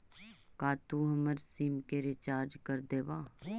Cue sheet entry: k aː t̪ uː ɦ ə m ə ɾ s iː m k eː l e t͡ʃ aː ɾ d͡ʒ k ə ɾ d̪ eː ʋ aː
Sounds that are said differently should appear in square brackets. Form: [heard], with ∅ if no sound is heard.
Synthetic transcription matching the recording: k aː t̪ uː ɦ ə m ə ɾ s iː m k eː [ɾ] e t͡ʃ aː ɾ d͡ʒ k ə ɾ d̪ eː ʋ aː